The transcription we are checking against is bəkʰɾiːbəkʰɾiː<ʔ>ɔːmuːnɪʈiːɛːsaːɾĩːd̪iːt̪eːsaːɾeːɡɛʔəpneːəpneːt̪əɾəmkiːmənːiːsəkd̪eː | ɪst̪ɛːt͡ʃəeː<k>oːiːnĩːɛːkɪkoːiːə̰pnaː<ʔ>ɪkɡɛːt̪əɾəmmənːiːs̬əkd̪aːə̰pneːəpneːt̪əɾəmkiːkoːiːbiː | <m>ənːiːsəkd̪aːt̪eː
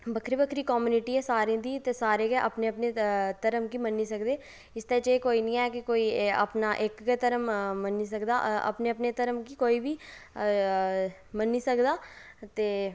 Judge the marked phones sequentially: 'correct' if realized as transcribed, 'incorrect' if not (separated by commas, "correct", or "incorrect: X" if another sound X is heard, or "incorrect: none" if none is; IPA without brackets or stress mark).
incorrect: k, correct, correct, correct